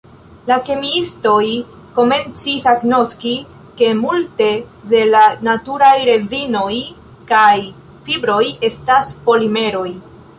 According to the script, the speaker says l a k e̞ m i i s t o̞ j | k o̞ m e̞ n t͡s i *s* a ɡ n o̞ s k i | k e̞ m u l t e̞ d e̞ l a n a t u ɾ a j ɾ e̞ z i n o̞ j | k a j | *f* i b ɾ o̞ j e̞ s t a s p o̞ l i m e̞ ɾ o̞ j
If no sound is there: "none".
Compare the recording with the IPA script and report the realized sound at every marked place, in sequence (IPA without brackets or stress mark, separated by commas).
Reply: s, f